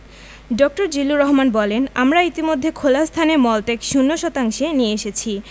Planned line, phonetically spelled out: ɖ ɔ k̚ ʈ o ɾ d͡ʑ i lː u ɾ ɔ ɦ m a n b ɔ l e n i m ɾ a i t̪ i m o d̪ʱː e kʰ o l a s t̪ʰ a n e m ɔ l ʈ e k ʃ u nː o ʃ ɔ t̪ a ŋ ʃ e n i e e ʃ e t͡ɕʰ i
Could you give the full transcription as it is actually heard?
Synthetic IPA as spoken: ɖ ɔ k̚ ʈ o ɾ d͡ʑ i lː u ɾ ɔ ɦ m a n b ɔ l e n a m ɾ a i t̪ i m o d̪ʱː e kʰ o l a s t̪ʰ a n e m ɔ l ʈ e k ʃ u nː o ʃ ɔ t̪ a ŋ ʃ e n i e e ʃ e t͡ɕʰ i